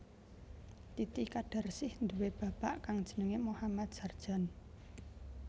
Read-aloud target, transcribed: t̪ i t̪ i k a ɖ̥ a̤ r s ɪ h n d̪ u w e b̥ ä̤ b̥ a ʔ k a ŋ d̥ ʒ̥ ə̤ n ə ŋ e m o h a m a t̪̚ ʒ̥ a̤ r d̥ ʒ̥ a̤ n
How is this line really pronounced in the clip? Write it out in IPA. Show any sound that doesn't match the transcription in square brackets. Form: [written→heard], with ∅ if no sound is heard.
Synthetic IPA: t̪ i t̪ i k a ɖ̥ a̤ r s ɪ h n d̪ u w e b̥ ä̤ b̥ a ʔ k a ŋ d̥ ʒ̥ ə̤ n ə ŋ e m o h a m a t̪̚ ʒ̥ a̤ r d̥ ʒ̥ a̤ n